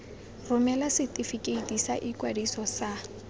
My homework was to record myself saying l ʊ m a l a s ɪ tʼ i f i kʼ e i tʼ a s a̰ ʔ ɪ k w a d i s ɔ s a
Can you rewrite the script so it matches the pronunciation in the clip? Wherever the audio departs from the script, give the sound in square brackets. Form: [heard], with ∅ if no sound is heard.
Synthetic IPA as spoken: [r] ʊ m [ɛ] l a s ɪ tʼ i f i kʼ e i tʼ [i] s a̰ ʔ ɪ k w a d i s ɔ s a